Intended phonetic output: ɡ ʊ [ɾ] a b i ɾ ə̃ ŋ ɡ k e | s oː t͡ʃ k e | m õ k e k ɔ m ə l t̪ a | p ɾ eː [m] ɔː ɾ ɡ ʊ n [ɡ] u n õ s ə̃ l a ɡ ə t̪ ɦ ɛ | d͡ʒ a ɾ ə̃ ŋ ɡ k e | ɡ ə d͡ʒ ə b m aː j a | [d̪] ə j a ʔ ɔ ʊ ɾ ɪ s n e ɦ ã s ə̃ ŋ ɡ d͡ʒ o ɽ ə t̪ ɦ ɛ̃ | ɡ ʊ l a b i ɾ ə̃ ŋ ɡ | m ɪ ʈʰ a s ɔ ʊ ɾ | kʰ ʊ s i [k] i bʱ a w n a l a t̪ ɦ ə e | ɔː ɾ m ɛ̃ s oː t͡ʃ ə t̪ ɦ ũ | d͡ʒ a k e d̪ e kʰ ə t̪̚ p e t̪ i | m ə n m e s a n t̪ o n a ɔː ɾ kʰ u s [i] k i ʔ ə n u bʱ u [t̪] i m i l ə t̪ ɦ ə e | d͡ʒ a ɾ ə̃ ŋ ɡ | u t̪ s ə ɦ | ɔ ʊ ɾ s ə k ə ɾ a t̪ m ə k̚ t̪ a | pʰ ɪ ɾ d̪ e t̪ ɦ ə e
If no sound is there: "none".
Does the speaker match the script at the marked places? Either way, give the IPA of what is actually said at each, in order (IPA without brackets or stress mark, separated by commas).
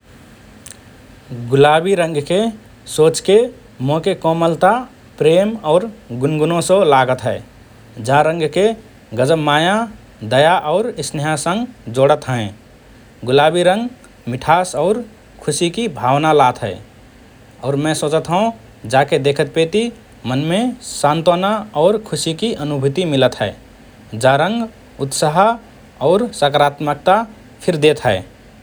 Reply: l, m, ɡ, d̪, k, i, t̪